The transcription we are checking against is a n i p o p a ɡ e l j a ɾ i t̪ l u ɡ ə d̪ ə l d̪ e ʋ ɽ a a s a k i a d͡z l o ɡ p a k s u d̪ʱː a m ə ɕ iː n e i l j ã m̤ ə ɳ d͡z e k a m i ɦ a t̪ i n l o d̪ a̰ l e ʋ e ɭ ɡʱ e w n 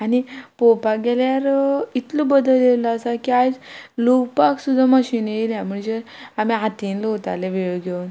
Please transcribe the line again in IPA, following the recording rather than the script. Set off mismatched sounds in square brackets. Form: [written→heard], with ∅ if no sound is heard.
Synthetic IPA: a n i p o p a ɡ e l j a ɾ i t̪ l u [ɡ→b] ə d̪ ə l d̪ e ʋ [ɽ→l] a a s a k i a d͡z l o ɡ p a k s u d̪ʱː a m ə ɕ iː n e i l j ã m̤ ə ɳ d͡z e [k→∅] a m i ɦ a t̪ i n l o [d̪→t̪] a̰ l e ʋ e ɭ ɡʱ e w n